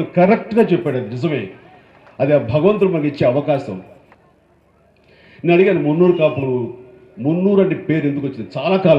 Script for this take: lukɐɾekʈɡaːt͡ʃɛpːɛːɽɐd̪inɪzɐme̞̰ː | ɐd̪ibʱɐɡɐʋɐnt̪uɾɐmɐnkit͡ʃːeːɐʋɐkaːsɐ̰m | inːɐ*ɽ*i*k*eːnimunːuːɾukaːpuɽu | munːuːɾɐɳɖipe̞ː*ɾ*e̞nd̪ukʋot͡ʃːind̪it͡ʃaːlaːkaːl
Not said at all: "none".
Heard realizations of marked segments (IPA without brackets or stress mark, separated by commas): ɽ, ɡ, ɾ